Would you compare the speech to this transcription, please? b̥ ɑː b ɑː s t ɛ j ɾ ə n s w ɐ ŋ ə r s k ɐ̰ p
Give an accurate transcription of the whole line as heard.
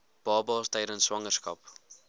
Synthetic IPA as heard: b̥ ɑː b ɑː s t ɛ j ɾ ə n s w ɐ ŋ ə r s k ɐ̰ p